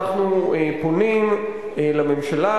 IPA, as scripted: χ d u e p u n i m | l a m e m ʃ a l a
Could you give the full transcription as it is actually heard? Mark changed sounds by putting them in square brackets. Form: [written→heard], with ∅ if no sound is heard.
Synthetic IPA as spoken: χ [d→n] u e p [u→o] n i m | l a m e m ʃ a l a